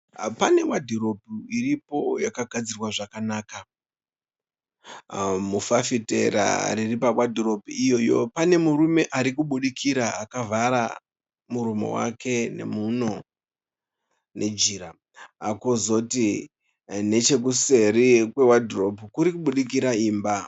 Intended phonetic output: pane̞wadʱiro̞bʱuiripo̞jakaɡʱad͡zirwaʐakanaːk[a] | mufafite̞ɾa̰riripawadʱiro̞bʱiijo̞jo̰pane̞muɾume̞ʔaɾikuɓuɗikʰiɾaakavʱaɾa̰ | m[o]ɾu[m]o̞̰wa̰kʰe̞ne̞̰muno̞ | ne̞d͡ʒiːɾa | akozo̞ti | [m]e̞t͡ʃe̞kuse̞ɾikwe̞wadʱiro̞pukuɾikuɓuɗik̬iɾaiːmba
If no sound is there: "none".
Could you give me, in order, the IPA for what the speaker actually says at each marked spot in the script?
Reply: a, u, m, n

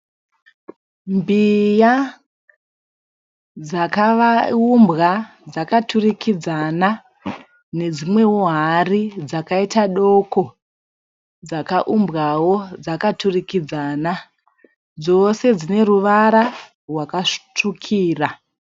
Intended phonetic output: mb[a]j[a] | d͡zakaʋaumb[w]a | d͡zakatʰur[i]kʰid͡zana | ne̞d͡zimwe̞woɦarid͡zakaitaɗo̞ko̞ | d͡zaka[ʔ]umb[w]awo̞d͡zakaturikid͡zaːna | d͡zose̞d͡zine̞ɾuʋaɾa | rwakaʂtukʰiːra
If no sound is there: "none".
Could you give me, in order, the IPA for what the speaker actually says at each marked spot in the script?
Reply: i, a, ɣ, i, ʔ, ɣ

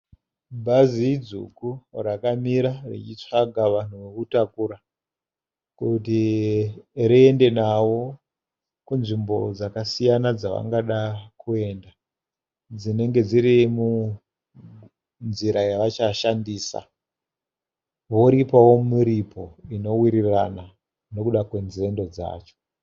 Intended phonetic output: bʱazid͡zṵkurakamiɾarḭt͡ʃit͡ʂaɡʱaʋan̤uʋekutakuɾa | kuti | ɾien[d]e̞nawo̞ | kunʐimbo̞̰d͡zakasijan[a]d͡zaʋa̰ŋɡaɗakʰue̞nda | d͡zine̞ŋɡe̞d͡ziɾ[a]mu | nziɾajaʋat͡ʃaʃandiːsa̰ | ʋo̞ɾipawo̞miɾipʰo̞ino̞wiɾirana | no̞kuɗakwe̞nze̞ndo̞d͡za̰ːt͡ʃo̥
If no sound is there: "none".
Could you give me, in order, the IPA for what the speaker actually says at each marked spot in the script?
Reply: d, a, i

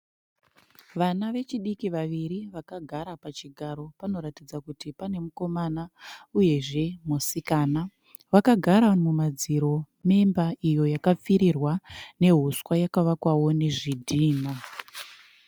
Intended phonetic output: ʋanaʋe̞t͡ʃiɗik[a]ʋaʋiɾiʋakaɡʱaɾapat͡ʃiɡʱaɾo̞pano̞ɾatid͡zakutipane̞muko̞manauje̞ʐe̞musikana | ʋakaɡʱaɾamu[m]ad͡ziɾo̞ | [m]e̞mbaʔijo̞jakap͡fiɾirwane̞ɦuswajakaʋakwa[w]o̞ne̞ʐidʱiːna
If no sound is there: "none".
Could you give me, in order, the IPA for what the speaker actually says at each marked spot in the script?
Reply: i, m, m, w

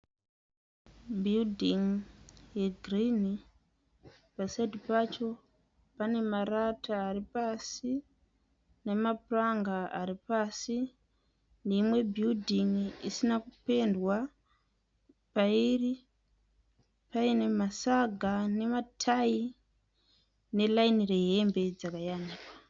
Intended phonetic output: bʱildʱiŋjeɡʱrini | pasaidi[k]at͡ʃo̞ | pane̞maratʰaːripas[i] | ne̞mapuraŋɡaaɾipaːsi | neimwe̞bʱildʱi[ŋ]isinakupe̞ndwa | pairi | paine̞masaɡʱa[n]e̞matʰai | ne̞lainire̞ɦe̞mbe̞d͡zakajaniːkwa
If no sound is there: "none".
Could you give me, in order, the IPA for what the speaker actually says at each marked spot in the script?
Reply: p, i, ŋ, n

